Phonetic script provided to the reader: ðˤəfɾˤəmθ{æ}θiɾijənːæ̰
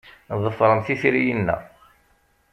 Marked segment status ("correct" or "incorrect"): incorrect